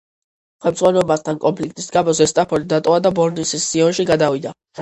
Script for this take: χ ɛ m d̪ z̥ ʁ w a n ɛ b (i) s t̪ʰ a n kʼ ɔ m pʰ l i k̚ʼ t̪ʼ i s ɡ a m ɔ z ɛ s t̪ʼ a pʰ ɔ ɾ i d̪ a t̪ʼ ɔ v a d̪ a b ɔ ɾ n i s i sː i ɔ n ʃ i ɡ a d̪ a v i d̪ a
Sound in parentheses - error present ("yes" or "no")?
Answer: yes